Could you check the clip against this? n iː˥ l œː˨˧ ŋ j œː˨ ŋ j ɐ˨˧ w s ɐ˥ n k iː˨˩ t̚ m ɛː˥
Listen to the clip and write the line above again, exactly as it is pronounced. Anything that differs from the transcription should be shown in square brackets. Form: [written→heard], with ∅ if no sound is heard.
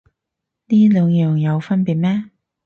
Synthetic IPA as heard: n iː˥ l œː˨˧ ŋ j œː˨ ŋ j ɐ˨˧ w [s→f] ɐ˥ n [k→p] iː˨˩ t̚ m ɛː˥